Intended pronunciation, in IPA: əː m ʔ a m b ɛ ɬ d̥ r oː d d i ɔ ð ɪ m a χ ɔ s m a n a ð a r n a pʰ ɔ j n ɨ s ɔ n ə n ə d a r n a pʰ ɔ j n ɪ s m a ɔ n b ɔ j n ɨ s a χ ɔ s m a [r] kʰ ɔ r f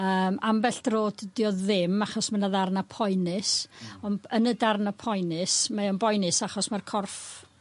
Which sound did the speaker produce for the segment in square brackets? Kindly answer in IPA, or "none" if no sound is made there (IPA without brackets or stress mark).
r